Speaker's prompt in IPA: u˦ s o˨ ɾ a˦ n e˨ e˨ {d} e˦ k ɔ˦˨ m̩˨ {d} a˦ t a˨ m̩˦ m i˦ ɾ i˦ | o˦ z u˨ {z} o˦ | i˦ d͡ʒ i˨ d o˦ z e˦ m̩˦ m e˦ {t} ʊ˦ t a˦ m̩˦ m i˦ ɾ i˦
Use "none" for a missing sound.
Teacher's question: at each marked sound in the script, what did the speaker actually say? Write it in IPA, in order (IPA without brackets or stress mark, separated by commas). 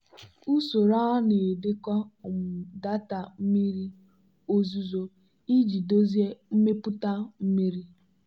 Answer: d, d, z, p